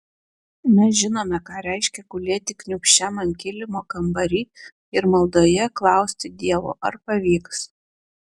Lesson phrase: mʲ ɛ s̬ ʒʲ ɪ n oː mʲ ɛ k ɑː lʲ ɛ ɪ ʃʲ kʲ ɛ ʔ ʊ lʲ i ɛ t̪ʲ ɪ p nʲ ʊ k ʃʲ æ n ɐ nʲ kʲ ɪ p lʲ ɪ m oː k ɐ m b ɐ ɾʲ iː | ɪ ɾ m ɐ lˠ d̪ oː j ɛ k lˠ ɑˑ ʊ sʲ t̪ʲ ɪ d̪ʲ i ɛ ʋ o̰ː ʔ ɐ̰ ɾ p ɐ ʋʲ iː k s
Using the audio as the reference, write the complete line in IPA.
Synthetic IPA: mʲ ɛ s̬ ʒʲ ɪ n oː mʲ ɛ k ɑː ɾʲ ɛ ɪ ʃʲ kʲ ɛ k ʊ lʲ i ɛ t̪ʲ ɪ k nʲ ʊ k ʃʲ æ m ɐ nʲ kʲ ɪ lʲ ɪ m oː k ɐ m b ɐ ɾʲ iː | ɪ ɾ m ɐ lˠ d̪ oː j ɛ k lˠ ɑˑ ʊ sʲ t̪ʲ ɪ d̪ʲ i ɛ ʋ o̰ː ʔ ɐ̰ ɾ p ɐ ʋʲ iː k s